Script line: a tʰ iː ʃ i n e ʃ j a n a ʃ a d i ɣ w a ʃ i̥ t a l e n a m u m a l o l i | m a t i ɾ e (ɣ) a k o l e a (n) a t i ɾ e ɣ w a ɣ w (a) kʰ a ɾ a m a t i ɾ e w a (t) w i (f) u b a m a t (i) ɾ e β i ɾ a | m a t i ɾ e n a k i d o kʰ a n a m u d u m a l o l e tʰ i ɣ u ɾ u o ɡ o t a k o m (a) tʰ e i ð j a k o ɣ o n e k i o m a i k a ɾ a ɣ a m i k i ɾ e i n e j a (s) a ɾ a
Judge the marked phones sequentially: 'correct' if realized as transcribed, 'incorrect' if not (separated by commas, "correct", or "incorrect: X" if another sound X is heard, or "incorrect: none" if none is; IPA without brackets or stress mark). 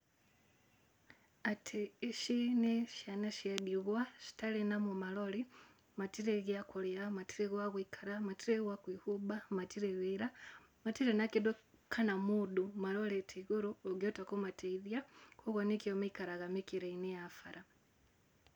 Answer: correct, incorrect: m, incorrect: i, incorrect: k, incorrect: h, correct, correct, incorrect: f